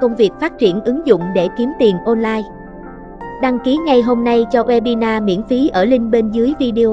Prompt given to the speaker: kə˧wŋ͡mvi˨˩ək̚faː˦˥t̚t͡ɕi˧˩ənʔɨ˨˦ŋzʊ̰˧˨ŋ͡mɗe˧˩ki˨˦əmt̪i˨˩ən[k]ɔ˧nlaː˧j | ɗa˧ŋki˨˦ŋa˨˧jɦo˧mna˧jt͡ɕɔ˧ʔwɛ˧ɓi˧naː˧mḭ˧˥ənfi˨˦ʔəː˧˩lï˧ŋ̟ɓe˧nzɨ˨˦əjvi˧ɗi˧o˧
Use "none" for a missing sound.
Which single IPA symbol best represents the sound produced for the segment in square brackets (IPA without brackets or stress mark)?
ʔ